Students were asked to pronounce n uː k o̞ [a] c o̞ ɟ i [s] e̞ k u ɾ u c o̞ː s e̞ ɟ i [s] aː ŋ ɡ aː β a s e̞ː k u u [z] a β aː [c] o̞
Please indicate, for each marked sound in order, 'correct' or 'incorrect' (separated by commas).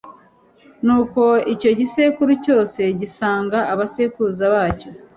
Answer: incorrect, correct, correct, correct, correct